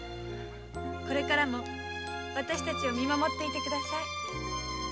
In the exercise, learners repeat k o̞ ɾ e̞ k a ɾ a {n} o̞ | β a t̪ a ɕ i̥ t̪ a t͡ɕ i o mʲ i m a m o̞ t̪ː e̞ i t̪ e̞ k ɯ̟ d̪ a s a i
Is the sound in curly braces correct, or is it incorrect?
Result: incorrect